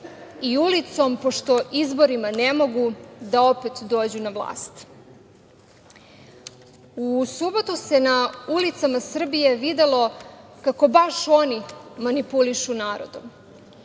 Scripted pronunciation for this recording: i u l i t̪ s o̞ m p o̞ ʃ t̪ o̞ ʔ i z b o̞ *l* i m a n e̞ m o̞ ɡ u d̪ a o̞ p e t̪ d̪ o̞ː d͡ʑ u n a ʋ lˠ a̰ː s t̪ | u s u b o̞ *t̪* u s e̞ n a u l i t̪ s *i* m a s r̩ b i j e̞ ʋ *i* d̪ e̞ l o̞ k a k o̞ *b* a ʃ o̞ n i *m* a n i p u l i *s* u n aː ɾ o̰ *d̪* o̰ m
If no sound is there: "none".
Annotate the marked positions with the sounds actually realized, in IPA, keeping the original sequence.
ɾ, t̪, a, i, b, m, ʃ, d̪

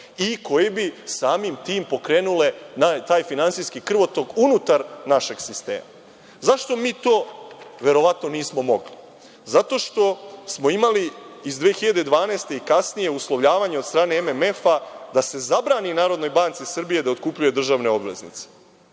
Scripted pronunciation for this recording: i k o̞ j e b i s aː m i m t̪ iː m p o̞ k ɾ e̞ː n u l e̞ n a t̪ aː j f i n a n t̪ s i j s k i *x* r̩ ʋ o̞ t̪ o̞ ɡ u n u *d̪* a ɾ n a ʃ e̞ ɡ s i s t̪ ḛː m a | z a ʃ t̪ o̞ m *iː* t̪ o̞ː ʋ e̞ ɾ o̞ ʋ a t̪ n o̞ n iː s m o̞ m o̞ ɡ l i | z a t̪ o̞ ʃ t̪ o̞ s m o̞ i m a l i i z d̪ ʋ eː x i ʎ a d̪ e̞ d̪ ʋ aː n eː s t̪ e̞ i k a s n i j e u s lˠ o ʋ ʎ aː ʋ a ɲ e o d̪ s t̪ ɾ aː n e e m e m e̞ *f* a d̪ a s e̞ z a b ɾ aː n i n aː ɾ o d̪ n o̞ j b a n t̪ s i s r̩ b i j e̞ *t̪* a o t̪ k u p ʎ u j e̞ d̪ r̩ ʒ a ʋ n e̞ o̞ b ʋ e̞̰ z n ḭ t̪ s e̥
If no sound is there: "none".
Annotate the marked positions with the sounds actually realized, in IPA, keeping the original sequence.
k, t̪, iː, f, d̪

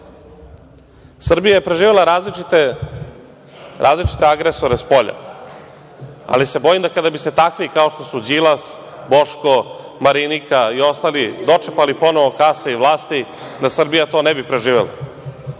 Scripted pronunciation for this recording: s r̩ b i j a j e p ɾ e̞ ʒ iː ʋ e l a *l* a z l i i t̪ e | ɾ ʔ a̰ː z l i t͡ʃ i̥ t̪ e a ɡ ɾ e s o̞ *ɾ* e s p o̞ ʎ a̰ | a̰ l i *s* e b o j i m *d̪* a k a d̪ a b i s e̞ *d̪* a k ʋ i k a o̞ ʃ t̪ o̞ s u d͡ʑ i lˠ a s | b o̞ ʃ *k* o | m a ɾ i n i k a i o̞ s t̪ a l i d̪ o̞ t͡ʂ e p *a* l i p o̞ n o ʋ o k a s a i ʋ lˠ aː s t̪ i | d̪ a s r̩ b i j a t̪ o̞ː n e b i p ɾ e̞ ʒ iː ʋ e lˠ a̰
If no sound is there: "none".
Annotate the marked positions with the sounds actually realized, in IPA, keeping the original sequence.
ɾ, ɾ, s, d̪, t̪, k, a

